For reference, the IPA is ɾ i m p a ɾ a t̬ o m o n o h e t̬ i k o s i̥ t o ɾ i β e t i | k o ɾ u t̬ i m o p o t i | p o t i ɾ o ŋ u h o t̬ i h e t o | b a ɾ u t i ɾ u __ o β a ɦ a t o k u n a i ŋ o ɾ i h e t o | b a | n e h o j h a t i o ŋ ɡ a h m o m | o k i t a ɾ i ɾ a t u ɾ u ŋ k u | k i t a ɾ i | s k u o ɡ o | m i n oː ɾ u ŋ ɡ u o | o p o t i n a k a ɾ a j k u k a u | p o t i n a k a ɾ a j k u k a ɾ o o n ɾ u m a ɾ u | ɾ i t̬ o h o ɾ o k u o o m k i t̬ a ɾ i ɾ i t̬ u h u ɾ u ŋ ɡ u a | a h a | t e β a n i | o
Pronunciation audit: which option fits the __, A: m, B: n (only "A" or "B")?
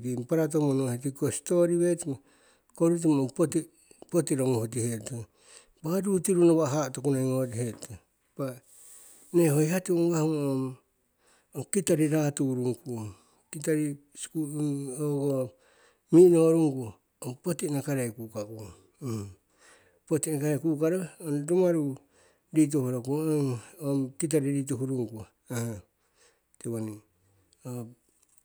B